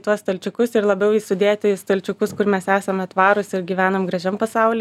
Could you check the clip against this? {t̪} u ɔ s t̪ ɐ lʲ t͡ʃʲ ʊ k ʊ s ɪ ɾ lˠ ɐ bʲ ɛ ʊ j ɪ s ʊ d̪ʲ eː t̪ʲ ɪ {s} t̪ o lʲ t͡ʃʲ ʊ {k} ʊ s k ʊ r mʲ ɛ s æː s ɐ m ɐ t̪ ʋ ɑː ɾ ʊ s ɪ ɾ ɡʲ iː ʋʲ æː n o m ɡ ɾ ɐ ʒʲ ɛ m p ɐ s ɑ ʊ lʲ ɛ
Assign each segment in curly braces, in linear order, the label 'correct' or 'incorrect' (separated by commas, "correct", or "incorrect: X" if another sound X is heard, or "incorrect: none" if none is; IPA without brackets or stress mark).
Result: correct, correct, correct